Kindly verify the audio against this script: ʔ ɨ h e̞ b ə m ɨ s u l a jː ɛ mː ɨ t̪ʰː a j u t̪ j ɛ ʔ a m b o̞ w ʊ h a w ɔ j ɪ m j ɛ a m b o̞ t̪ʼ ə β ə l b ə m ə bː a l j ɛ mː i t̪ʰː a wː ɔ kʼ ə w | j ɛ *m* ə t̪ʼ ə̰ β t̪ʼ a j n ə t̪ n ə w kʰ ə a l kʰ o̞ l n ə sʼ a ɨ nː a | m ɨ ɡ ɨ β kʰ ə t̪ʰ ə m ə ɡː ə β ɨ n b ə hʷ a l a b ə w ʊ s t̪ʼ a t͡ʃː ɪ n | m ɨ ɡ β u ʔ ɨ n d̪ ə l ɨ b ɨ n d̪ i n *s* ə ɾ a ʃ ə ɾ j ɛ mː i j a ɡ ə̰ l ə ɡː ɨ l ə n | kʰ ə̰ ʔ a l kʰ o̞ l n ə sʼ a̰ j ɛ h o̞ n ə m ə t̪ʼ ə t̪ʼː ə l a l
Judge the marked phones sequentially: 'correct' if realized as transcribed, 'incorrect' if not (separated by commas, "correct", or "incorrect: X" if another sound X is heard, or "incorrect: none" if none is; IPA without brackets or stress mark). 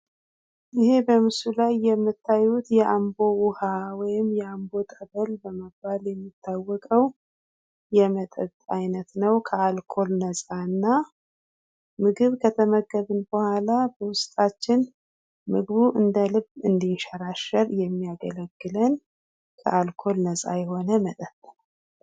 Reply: correct, incorrect: ʃ